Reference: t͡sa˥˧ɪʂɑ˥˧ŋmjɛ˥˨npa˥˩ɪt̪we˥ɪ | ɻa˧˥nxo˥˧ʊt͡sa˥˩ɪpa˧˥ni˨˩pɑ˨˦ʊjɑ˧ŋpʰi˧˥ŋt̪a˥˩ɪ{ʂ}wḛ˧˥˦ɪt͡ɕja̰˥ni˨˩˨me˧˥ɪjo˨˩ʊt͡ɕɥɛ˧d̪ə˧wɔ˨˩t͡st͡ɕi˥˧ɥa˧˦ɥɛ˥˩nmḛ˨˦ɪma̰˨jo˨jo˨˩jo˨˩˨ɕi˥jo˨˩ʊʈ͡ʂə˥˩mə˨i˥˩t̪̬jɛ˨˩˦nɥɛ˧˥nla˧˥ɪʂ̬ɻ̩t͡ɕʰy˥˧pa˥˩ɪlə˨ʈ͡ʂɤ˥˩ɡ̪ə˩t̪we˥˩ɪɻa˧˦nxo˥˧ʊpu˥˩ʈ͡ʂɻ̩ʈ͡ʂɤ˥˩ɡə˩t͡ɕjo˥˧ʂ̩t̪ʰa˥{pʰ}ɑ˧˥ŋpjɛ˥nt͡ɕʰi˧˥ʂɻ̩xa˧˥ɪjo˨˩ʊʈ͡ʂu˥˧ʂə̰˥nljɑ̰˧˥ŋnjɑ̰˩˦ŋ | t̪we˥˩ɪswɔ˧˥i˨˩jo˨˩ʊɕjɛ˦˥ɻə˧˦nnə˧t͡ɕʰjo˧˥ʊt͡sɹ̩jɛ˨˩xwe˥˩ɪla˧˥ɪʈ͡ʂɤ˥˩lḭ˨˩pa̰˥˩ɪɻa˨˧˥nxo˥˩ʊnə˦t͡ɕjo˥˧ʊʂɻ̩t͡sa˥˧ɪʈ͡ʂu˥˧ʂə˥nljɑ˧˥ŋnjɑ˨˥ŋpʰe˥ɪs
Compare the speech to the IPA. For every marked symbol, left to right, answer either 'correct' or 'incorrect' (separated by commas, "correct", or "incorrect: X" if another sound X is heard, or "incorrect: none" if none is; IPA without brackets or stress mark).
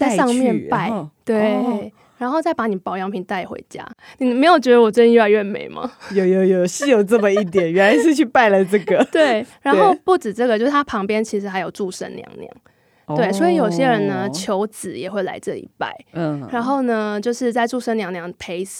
incorrect: x, correct